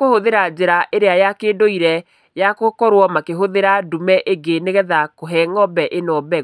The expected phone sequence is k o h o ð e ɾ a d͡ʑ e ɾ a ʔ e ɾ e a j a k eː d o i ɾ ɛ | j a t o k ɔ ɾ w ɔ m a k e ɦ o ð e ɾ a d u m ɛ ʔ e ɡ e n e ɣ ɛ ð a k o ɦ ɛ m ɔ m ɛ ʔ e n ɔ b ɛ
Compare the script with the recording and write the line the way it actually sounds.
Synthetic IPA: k o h o ð e ɾ a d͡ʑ e ɾ a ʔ e ɾ e a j a k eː d o i ɾ ɛ | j a k o k ɔ ɾ w ɔ m a k e ɦ o ð e ɾ a d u m ɛ ʔ e ɡ e n e ɣ ɛ ð a k o ɦ ɛ ŋ ɔ b ɛ ʔ e n ɔ b ɛ